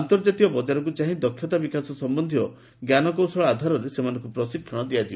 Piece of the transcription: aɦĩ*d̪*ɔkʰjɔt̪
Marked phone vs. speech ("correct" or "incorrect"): correct